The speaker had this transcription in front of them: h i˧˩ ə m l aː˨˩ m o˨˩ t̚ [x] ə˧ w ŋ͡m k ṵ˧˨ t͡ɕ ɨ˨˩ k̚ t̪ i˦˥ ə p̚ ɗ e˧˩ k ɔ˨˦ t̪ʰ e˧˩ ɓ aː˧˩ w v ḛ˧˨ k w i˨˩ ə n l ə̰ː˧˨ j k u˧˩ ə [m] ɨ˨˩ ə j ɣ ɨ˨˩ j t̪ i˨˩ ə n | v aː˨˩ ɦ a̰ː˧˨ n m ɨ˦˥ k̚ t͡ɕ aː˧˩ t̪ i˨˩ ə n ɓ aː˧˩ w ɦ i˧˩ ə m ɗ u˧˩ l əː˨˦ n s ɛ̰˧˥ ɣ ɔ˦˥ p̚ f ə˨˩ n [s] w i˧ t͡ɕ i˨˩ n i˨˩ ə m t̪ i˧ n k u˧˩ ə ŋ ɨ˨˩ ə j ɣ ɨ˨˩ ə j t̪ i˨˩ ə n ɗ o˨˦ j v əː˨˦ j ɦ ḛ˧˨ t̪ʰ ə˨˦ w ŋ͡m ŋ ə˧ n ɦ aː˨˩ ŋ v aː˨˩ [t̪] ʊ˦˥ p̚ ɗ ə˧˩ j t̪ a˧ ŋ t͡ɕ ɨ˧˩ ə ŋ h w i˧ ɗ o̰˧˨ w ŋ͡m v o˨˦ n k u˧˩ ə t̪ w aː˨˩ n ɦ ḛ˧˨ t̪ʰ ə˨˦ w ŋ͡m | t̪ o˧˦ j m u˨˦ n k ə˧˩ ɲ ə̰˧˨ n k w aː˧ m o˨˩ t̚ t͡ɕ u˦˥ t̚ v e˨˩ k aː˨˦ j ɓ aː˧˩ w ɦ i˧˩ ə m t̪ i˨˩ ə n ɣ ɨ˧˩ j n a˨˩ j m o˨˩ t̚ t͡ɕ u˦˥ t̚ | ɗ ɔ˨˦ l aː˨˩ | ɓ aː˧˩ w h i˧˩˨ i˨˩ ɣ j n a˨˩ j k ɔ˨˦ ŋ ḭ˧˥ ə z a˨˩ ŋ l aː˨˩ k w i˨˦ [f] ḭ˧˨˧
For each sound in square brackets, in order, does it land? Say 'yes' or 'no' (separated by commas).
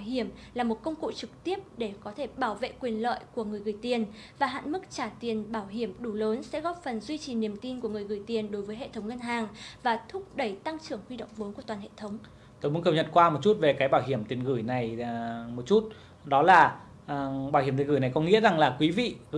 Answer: no, no, no, no, no